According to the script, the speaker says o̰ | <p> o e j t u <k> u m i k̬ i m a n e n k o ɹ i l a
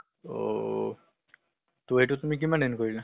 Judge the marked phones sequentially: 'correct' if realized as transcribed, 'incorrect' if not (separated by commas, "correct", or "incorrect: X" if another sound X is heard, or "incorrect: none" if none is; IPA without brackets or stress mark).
incorrect: t, incorrect: t